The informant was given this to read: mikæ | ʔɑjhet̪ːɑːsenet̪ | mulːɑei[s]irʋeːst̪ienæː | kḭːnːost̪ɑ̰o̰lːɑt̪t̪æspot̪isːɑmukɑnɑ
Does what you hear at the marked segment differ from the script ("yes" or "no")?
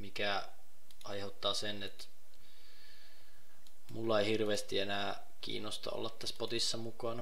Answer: yes